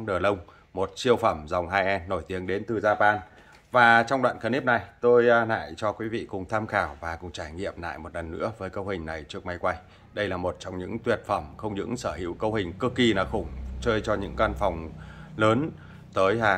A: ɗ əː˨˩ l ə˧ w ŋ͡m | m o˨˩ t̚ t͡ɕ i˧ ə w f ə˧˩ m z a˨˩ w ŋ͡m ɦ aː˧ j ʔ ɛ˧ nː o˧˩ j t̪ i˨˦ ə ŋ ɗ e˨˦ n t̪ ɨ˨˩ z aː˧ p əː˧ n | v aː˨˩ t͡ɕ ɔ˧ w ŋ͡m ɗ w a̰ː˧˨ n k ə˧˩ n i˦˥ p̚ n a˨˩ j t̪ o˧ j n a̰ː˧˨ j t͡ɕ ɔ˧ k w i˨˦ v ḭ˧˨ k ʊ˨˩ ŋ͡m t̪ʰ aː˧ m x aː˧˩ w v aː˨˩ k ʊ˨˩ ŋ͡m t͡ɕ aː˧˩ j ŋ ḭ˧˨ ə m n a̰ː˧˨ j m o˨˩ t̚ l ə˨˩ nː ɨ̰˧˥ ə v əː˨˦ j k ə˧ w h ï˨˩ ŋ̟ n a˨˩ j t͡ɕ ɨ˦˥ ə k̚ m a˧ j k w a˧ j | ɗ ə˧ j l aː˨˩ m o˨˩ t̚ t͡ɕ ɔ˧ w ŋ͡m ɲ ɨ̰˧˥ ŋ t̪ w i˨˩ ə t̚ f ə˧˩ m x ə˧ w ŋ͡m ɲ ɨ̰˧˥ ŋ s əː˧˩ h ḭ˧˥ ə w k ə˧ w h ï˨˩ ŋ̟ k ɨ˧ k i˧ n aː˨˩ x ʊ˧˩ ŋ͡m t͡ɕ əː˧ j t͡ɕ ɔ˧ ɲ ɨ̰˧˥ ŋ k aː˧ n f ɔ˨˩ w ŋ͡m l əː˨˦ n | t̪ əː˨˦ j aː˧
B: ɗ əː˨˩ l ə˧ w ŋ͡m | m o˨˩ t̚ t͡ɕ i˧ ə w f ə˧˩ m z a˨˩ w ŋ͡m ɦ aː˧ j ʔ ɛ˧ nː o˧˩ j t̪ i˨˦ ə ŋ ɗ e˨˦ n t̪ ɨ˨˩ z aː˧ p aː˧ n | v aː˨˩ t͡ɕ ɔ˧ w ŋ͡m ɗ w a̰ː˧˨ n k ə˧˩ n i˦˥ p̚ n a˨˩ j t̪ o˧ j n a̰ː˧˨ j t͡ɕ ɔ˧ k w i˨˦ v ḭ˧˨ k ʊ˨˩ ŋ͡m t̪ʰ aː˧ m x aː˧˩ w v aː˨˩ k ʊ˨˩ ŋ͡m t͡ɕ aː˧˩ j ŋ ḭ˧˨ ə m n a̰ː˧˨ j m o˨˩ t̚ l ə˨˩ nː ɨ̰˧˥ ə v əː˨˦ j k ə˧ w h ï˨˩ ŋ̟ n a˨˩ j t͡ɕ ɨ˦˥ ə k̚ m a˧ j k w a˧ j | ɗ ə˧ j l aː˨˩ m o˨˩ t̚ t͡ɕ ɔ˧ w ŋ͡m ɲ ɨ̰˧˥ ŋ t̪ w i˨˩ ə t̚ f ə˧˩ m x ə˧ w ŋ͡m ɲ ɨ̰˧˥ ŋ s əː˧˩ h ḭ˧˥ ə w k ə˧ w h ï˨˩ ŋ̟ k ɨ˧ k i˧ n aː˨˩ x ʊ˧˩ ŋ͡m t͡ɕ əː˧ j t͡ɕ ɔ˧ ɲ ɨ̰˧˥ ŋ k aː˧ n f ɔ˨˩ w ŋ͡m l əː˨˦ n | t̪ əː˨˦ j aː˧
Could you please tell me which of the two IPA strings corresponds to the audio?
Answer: B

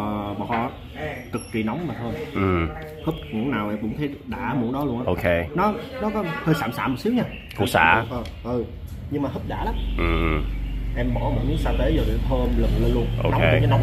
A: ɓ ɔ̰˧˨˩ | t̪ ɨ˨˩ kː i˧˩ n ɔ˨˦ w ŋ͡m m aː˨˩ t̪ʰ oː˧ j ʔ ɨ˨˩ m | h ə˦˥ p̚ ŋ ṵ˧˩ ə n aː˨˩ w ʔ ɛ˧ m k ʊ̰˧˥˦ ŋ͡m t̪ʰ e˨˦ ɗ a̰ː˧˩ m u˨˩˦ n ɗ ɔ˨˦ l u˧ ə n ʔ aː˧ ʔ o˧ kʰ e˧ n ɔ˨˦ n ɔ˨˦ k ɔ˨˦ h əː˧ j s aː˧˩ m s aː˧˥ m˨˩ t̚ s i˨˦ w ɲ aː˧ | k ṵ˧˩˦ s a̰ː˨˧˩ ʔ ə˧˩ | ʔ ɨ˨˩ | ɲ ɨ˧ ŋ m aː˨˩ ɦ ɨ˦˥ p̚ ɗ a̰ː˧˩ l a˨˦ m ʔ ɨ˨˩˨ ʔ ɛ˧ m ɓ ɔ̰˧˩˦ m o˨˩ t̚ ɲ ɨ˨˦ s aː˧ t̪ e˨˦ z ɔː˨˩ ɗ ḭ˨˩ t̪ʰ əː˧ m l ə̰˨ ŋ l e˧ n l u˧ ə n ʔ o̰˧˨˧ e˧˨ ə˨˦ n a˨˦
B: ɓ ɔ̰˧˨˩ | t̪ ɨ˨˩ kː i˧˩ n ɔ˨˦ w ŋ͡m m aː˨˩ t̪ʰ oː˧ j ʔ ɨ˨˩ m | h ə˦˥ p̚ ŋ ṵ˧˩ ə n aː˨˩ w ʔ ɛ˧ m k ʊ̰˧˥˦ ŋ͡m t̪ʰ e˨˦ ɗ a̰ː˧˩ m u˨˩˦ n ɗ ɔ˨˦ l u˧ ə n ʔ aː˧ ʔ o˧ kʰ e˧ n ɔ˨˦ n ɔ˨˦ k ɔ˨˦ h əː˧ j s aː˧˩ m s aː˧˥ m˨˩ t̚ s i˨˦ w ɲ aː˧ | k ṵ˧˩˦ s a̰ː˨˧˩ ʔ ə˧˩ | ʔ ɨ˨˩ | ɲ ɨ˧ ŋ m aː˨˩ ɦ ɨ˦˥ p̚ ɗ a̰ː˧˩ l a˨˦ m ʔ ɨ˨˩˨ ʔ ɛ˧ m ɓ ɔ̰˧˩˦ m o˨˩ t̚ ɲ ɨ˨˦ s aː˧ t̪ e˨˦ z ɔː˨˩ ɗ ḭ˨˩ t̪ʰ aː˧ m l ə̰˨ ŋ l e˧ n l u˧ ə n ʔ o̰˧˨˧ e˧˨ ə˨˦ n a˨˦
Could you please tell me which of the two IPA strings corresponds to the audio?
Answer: A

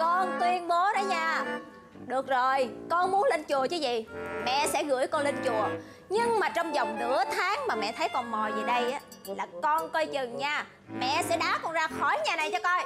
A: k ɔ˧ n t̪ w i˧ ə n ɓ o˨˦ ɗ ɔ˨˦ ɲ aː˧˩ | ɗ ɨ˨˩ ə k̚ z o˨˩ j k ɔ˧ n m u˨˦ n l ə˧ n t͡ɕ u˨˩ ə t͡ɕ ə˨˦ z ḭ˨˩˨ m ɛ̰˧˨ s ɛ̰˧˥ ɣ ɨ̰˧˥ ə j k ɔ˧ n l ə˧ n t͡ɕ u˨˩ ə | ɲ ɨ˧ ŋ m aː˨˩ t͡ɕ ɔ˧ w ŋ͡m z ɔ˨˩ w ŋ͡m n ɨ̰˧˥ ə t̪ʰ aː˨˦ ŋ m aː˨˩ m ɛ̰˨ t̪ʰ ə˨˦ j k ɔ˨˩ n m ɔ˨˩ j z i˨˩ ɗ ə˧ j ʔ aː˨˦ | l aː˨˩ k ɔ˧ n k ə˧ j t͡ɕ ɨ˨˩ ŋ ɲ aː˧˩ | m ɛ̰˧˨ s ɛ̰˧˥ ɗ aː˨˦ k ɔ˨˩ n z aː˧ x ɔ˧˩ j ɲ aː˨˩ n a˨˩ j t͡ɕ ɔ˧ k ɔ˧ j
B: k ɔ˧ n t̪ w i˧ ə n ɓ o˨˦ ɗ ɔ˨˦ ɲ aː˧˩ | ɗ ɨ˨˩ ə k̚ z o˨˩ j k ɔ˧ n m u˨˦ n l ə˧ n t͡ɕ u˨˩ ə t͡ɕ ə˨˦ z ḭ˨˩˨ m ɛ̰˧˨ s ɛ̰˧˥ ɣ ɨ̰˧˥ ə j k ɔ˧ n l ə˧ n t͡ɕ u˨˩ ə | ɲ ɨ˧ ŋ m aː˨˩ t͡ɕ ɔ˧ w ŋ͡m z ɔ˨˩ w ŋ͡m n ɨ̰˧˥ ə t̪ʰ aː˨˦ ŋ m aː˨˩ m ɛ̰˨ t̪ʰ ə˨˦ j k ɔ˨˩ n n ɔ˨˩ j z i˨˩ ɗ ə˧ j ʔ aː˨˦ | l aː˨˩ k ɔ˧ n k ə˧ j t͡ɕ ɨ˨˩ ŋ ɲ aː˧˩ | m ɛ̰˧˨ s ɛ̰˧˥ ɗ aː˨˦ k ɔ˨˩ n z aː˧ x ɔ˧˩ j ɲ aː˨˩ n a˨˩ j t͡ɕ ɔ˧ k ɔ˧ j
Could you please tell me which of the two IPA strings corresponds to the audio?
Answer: A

